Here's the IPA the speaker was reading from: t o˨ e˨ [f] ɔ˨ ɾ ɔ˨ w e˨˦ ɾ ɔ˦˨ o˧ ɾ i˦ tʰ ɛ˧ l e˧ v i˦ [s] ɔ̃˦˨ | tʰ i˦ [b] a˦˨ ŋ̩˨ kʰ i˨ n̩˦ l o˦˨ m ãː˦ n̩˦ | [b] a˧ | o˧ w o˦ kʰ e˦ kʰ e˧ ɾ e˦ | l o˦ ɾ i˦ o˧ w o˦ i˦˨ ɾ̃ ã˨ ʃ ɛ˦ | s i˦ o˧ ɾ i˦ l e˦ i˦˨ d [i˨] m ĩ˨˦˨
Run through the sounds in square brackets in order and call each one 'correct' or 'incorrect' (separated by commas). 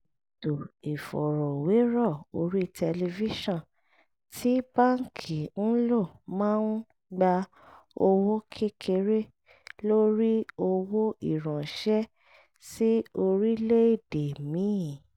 correct, incorrect, correct, incorrect, incorrect